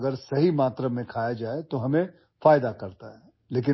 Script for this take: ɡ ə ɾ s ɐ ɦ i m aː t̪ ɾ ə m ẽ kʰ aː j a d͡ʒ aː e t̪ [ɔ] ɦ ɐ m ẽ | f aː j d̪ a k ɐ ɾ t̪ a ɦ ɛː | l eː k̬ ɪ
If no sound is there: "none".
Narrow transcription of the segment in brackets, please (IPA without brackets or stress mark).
o